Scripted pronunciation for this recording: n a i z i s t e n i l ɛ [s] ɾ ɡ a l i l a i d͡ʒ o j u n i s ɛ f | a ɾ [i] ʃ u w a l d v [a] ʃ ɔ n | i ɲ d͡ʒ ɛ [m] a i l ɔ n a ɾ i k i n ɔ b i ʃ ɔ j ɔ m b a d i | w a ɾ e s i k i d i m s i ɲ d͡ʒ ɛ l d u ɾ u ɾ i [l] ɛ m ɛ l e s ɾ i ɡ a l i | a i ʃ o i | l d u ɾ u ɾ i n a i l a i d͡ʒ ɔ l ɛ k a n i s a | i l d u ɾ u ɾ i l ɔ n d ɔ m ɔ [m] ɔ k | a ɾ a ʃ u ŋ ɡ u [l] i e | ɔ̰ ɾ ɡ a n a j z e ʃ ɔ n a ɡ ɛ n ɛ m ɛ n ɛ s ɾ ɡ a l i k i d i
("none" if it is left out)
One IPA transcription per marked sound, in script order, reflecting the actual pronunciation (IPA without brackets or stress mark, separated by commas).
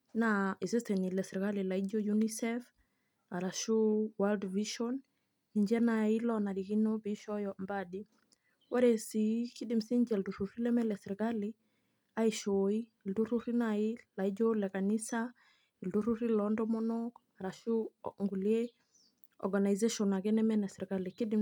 s, a, i, n, l, n, l